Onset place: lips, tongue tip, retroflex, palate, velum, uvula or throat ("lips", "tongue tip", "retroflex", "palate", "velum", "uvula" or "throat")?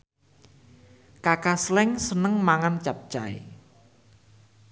velum